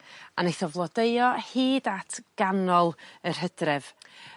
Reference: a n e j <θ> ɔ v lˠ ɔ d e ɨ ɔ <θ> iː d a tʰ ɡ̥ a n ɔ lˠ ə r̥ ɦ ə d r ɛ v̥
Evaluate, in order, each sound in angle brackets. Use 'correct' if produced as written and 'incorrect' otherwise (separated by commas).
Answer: correct, incorrect